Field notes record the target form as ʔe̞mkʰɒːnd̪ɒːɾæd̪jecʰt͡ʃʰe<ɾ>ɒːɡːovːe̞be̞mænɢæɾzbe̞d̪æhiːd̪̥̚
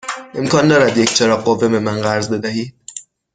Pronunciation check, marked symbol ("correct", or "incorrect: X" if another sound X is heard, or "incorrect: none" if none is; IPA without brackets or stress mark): correct